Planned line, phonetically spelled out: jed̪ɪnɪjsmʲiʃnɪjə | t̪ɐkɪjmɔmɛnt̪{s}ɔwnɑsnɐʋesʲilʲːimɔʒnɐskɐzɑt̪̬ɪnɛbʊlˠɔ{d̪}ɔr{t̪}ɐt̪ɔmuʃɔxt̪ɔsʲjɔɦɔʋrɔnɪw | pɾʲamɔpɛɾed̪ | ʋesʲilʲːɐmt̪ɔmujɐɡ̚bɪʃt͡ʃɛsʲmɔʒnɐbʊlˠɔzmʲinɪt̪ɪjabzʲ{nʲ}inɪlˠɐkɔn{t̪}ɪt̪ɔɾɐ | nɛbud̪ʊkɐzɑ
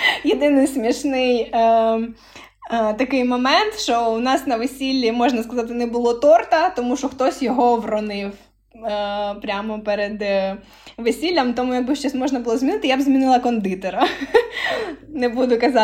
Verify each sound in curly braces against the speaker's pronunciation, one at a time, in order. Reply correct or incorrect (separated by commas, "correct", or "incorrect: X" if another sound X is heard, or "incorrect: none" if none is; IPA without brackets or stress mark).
incorrect: ʃ, incorrect: t̪, correct, incorrect: mʲ, incorrect: d̪